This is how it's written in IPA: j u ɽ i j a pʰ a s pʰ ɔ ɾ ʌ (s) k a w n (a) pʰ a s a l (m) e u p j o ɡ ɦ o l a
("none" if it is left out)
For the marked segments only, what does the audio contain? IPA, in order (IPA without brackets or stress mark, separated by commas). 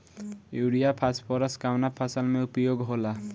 s, a, m